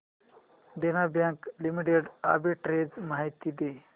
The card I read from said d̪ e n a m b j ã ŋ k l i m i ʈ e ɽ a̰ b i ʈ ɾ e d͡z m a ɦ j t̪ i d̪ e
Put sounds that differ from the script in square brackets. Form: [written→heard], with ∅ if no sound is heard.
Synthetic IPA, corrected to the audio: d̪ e n a [m→∅] b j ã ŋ k l i m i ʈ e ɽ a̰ b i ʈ ɾ e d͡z m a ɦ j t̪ i d̪ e